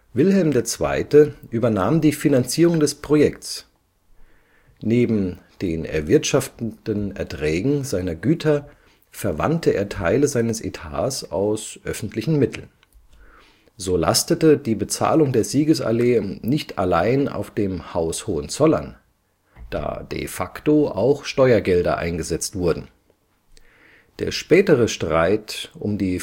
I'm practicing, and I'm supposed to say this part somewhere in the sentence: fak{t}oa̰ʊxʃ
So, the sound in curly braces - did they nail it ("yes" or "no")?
yes